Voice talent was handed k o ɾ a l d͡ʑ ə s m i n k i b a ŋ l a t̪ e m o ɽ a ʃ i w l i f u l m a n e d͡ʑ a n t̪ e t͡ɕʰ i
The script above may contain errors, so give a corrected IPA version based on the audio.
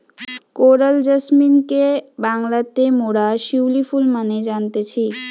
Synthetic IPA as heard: k o ɾ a l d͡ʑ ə s m i n k e b a ŋ l a t̪ e m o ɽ a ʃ i w l i f u l m a n e d͡ʑ a n t̪ e t͡ɕʰ i